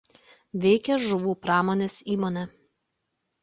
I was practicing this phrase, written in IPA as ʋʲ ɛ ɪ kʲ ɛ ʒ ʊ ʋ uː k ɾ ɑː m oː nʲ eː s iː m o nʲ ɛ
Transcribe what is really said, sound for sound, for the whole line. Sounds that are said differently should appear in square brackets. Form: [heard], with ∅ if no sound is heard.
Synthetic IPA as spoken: ʋʲ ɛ ɪ kʲ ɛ ʒ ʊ ʋ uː [p] ɾ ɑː m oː nʲ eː s iː m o nʲ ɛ

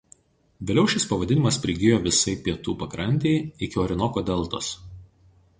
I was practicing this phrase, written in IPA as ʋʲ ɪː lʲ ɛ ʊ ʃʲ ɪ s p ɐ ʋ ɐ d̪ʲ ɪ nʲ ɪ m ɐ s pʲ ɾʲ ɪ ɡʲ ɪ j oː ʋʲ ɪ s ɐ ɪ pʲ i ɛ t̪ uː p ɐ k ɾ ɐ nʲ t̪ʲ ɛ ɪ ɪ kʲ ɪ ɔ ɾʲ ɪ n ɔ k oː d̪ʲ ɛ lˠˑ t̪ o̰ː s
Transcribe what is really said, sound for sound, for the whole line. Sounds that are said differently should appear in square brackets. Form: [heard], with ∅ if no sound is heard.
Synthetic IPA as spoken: ʋʲ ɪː lʲ ɛ ʊ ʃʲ ɪ s p ɐ ʋ ɐ d̪ʲ ɪ nʲ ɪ m ɐ s pʲ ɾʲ ɪ ɡʲ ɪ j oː ʋʲ ɪ s ɐ ɪ pʲ i ɛ t̪ uː p ɐ k ɾ ɐ nʲ t̪ʲ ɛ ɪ ɪ kʲ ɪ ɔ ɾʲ ɪ n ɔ k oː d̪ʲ ɛ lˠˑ t̪ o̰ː s

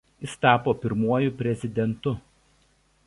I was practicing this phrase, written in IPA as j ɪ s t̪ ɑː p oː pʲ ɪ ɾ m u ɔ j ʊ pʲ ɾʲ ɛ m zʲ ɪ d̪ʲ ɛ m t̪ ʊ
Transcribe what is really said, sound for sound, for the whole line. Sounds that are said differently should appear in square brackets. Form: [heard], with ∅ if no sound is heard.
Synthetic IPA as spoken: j ɪ s t̪ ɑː p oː pʲ ɪ ɾ m u ɔ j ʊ pʲ ɾʲ ɛ [∅] zʲ ɪ d̪ʲ ɛ [n] t̪ ʊ

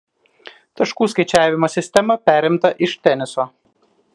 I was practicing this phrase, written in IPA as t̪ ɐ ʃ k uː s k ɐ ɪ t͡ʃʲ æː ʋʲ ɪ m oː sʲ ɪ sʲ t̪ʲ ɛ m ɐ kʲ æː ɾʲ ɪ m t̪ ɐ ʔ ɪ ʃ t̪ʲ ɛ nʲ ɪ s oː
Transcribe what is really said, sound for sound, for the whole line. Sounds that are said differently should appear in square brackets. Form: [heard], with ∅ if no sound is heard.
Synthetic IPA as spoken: t̪ ɐ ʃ k uː s k ɐ ɪ t͡ʃʲ æː ʋʲ ɪ m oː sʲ ɪ sʲ t̪ʲ ɛ m ɐ [pʲ] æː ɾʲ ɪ m t̪ ɐ ʔ ɪ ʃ t̪ʲ ɛ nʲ ɪ s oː

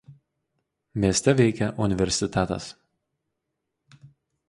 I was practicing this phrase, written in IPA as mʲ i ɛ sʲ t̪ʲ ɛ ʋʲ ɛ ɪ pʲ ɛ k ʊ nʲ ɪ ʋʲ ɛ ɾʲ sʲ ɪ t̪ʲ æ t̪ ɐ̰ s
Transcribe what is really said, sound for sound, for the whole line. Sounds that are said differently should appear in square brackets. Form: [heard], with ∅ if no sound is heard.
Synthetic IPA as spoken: mʲ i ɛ sʲ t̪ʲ ɛ ʋʲ ɛ ɪ [kʲ] ɛ [ʔ] ʊ nʲ ɪ ʋʲ ɛ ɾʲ sʲ ɪ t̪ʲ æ t̪ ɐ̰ s

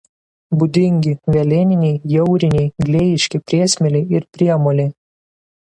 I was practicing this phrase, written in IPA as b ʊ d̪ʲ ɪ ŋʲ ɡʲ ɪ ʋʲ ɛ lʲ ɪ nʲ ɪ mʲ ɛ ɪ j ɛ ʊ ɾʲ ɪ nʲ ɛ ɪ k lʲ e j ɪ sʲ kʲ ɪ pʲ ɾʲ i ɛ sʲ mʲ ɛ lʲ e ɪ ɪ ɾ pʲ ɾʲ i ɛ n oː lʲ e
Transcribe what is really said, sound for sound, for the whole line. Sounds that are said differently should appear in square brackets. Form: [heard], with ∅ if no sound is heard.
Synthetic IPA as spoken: b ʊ d̪ʲ ɪ ŋʲ ɡʲ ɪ ʋʲ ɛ lʲ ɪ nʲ ɪ [nʲ] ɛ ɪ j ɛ ʊ ɾʲ ɪ nʲ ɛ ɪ [ɡ] lʲ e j ɪ [ʃʲ] kʲ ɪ pʲ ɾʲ i ɛ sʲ mʲ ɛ lʲ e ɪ ɪ ɾ pʲ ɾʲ i ɛ [m] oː lʲ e

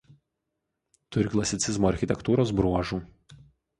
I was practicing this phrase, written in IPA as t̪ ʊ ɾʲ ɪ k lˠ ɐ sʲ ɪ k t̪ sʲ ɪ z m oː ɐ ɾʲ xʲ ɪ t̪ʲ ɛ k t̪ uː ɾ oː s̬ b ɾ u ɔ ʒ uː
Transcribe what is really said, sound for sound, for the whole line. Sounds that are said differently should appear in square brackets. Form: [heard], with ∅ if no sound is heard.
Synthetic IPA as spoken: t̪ ʊ ɾʲ ɪ k lˠ ɐ sʲ ɪ [∅] t̪ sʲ ɪ z m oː ɐ ɾʲ xʲ ɪ t̪ʲ ɛ k t̪ uː ɾ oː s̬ b ɾ u ɔ ʒ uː

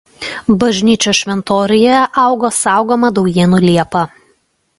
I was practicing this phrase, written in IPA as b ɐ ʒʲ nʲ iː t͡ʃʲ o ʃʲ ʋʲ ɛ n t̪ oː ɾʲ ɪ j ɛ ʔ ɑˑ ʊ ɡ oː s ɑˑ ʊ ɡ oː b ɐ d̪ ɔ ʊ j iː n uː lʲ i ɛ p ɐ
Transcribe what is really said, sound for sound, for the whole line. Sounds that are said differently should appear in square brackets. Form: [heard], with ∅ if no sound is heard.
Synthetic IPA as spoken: b ɐ ʒʲ nʲ iː t͡ʃʲ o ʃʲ ʋʲ ɛ n t̪ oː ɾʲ ɪ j ɛ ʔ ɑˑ ʊ ɡ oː s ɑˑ ʊ ɡ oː [m] ɐ d̪ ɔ ʊ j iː n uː lʲ i ɛ p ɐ

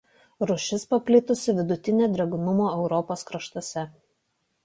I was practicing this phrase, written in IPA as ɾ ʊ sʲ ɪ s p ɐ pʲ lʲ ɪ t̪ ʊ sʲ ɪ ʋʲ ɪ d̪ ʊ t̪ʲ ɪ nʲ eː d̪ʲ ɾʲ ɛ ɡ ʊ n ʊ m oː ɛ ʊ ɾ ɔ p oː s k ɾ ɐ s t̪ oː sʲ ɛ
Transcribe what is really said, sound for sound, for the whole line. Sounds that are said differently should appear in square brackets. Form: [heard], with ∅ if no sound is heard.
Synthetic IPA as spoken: ɾ ʊ [ʃʲ] ɪ s p ɐ pʲ lʲ ɪ t̪ ʊ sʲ ɪ ʋʲ ɪ d̪ ʊ t̪ʲ ɪ nʲ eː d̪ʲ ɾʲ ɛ ɡ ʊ n ʊ m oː ɛ ʊ ɾ ɔ p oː s k ɾ ɐ [ʃ] t̪ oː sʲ ɛ

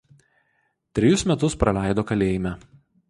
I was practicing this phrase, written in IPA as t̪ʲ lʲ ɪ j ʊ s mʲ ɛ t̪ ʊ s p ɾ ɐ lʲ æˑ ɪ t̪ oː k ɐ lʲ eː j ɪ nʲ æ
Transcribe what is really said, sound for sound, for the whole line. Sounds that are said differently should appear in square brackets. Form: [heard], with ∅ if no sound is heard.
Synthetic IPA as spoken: t̪ʲ [ɾʲ] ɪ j ʊ s mʲ ɛ t̪ ʊ s p ɾ ɐ lʲ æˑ ɪ [d̪] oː k ɐ lʲ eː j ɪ [mʲ] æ

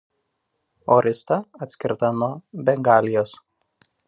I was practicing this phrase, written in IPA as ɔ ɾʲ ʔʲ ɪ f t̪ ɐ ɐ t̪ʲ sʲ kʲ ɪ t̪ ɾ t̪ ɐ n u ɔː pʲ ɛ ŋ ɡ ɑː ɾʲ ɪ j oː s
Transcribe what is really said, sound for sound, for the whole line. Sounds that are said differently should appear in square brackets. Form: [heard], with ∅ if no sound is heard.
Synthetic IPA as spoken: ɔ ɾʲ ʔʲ ɪ [s] t̪ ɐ ɐ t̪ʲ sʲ kʲ ɪ [∅] ɾ t̪ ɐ n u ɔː [bʲ] ɛ ŋ ɡ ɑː [lʲ] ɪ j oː s

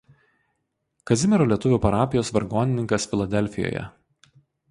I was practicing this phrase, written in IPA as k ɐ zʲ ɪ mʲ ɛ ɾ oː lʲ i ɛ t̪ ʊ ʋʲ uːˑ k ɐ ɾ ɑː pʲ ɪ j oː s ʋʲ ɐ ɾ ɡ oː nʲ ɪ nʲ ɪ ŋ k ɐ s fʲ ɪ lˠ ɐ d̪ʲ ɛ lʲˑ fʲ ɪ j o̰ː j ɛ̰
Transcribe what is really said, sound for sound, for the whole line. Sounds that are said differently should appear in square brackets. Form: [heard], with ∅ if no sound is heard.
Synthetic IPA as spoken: k ɐ zʲ ɪ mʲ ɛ ɾ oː lʲ i ɛ t̪ ʊ ʋʲ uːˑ [p] ɐ ɾ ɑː pʲ ɪ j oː s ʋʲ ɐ ɾ ɡ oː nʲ ɪ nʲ ɪ ŋ k ɐ s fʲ ɪ lˠ ɐ d̪ʲ ɛ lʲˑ fʲ ɪ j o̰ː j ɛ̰

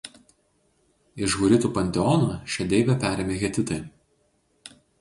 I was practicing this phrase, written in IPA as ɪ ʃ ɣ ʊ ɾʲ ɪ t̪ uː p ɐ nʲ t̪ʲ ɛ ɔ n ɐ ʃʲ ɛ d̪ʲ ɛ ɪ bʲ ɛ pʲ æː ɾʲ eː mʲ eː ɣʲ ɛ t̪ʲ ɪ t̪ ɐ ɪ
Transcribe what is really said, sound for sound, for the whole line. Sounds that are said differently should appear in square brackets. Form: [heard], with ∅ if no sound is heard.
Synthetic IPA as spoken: ɪ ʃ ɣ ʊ ɾʲ ɪ t̪ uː p ɐ nʲ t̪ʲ ɛ ɔ n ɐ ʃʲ ɛ d̪ʲ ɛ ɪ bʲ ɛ pʲ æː ɾʲ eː mʲ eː ɣʲ ɛ t̪ʲ ɪ t̪ ɐ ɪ

